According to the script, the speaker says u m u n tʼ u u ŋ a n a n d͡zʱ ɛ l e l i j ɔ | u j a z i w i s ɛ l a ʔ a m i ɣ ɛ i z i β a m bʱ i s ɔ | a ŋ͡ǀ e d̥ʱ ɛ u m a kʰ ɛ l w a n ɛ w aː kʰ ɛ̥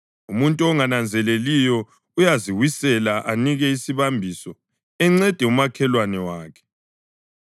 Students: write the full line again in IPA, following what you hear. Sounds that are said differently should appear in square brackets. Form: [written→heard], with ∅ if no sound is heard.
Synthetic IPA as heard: u m u n tʼ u [u→ɔ] ŋ a n a n d͡zʱ ɛ l e l i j ɔ | u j a z i w i s ɛ l a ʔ a [m→n] i ɣ ɛ i [z→s] i β a m bʱ i s ɔ | [a→ɛ] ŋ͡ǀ [e→ɛ] d̥ʱ ɛ u m a kʰ ɛ l w a n ɛ w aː kʰ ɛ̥

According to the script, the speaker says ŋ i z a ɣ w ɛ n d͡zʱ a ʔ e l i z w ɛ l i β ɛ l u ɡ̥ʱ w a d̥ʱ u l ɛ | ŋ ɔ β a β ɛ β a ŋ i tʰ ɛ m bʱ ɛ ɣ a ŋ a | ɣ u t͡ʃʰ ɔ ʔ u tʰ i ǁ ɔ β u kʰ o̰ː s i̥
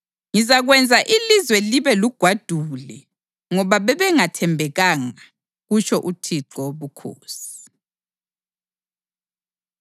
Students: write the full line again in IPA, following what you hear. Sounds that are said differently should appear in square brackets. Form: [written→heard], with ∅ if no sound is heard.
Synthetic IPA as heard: ŋ i z a ɣ w ɛ n d͡zʱ a ʔ [e→i] l i z w ɛ l i β ɛ l u ɡ̥ʱ w a d̥ʱ u l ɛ | ŋ ɔ β a β ɛ β [a→ɛ] ŋ [i→a] tʰ ɛ m bʱ ɛ ɣ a ŋ a | ɣ u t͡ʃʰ ɔ ʔ u tʰ i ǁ ɔ β u kʰ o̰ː s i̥

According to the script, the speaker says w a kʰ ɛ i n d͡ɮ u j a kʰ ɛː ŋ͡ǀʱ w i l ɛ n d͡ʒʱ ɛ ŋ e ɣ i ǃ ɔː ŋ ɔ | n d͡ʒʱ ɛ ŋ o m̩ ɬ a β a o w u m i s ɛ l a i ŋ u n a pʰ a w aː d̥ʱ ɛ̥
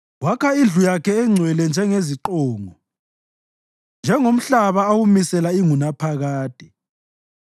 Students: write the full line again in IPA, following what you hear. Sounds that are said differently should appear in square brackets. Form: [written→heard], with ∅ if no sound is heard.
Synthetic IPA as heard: w a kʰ [ɛ→a] i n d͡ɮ u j a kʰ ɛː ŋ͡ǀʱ w [i→ɛ] l ɛ n d͡ʒʱ ɛ ŋ e [ɣ→z] i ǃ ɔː ŋ ɔ | n d͡ʒʱ ɛ ŋ o m̩ ɬ a β a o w u m i s ɛ l a i ŋ u n a pʰ a [w→ɣ] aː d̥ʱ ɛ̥

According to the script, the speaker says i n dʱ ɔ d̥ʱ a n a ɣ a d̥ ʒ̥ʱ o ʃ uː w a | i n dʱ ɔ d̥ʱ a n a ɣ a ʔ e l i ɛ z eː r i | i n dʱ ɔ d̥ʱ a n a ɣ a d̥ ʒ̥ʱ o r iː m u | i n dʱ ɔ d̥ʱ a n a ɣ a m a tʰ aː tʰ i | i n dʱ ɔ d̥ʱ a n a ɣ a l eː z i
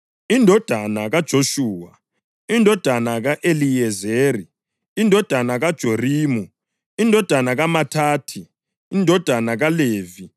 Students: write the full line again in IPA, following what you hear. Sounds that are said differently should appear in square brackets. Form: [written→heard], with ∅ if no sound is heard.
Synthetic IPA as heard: i n dʱ ɔ d̥ʱ a n a ɣ a d̥ ʒ̥ʱ o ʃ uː w a | i n dʱ ɔ d̥ʱ a n a ɣ a ʔ e l i ɛ z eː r i | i n dʱ ɔ d̥ʱ a n a ɣ a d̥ ʒ̥ʱ o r iː m u | i n dʱ ɔ d̥ʱ a n a ɣ a m a tʰ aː tʰ i | i n dʱ ɔ d̥ʱ a n a ɣ a l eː [z→v] i

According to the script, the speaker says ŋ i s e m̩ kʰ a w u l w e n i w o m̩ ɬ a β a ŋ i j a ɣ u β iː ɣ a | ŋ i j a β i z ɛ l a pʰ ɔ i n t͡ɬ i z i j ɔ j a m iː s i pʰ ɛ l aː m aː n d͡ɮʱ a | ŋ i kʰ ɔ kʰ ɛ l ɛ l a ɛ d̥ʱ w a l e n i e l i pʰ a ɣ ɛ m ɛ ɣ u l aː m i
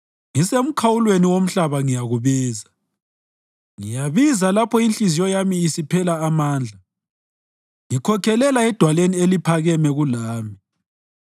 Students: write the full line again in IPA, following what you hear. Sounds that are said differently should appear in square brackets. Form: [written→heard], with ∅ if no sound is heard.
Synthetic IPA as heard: ŋ i s e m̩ kʰ a w u l w e n i w o m̩ ɬ a β a ŋ i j a ɣ u β iː [ɣ→z] a | ŋ i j a β i z [ɛ→a] l a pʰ ɔ i n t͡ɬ i z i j ɔ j a m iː s i pʰ ɛ l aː m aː n d͡ɮʱ a | ŋ i kʰ ɔ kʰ ɛ l ɛ l a ɛ d̥ʱ w a l e n i e l i pʰ a ɣ ɛ m ɛ ɣ u l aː m i

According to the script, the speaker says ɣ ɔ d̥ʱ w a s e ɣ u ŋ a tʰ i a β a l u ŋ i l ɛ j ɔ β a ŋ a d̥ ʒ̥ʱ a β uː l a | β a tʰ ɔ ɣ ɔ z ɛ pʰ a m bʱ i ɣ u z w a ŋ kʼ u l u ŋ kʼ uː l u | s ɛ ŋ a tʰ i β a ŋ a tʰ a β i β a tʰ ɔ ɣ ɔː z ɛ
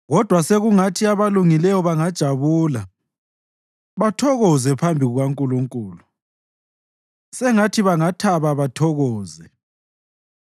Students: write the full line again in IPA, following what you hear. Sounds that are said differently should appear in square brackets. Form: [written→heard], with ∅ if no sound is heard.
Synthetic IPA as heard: ɣ ɔ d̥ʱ w a s e ɣ u ŋ a tʰ i a β a l u ŋ i l ɛ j ɔ β a ŋ a d̥ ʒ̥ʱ a β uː l a | β a tʰ ɔ ɣ ɔ z ɛ pʰ a m bʱ i ɣ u [z→ɣ] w a ŋ kʼ u l u ŋ kʼ uː l u | s ɛ ŋ a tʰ i β a ŋ a tʰ a β [i→a] β a tʰ ɔ ɣ ɔː z ɛ

